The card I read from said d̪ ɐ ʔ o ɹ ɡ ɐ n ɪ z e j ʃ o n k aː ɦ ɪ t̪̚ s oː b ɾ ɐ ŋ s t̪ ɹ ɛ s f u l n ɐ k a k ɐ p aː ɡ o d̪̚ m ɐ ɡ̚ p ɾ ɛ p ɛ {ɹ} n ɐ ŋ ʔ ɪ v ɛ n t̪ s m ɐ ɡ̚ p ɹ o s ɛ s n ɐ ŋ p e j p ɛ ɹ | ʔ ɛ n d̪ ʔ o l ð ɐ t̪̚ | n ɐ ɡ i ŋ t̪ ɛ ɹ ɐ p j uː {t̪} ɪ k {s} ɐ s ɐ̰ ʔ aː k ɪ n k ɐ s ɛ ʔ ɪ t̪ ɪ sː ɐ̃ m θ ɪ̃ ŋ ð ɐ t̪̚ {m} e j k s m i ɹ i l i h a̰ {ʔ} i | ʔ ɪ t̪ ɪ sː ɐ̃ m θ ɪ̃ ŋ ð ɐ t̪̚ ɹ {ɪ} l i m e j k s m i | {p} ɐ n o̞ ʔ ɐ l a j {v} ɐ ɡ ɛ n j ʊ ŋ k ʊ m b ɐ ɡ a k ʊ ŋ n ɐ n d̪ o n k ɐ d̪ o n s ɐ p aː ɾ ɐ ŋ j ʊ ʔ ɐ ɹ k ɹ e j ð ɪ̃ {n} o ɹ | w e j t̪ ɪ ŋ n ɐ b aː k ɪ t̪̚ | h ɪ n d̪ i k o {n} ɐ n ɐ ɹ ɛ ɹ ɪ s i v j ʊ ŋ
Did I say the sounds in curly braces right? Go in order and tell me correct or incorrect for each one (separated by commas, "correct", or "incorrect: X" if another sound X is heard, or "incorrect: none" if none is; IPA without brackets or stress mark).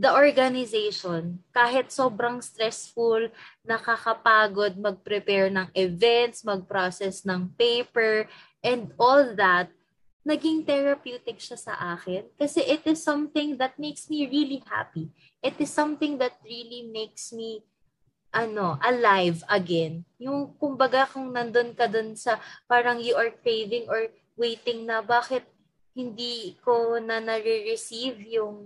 correct, correct, incorrect: ʃ, correct, incorrect: p, incorrect: i, incorrect: ʔ, correct, incorrect: ŋ, correct